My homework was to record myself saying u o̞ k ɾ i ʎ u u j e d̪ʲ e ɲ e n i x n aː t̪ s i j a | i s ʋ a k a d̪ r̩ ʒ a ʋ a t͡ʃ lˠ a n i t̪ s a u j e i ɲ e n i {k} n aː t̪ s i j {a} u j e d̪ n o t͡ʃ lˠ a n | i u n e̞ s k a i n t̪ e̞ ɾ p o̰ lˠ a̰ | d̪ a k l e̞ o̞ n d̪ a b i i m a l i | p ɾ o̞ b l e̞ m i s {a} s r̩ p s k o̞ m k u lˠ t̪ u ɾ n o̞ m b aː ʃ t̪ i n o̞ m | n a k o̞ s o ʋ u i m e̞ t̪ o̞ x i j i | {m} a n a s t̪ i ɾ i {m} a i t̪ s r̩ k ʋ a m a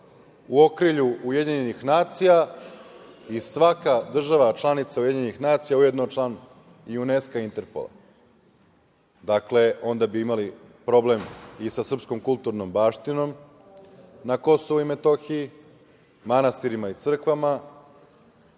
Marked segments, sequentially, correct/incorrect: incorrect, correct, correct, correct, correct

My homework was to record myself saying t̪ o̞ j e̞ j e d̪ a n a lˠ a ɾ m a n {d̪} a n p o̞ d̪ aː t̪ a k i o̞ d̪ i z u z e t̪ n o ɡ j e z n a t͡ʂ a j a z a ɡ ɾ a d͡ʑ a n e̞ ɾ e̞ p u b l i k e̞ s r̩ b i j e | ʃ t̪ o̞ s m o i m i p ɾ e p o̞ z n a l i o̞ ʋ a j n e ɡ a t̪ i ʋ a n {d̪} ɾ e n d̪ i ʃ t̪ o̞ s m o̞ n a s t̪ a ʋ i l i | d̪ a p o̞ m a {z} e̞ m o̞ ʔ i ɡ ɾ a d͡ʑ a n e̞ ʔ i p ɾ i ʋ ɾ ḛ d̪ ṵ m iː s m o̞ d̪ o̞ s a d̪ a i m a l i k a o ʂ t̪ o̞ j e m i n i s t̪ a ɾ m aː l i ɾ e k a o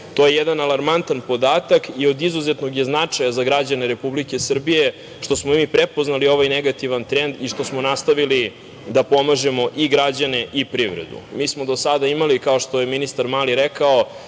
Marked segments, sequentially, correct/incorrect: incorrect, incorrect, incorrect

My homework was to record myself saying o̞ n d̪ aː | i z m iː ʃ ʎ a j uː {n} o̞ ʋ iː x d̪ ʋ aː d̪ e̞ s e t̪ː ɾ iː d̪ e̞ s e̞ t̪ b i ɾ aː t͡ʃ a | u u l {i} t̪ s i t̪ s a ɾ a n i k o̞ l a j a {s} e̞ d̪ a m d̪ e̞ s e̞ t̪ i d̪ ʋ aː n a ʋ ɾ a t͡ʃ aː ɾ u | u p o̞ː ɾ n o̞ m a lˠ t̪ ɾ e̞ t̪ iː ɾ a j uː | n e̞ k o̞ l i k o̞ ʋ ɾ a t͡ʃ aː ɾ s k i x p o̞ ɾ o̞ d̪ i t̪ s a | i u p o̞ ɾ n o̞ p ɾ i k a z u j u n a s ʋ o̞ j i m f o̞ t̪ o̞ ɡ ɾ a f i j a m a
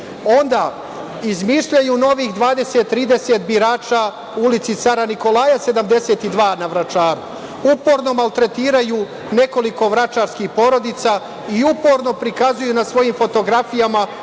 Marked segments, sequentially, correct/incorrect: correct, correct, correct

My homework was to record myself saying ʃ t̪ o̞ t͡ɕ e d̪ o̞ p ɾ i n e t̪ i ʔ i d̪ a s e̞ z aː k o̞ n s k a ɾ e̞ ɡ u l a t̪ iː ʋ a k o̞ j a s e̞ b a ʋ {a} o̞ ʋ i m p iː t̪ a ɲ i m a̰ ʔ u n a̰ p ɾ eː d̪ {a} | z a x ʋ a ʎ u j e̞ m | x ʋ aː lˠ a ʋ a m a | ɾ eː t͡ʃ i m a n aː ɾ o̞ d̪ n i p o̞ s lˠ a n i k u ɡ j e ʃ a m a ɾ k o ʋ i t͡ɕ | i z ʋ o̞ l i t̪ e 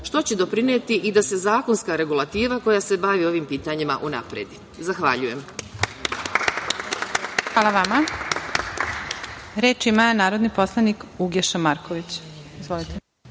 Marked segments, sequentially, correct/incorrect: incorrect, incorrect

